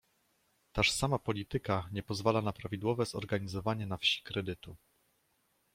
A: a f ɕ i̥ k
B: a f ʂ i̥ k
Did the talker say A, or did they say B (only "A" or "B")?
A